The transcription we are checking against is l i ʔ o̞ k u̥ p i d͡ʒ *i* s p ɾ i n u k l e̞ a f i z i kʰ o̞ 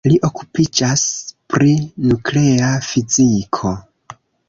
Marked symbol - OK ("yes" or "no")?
no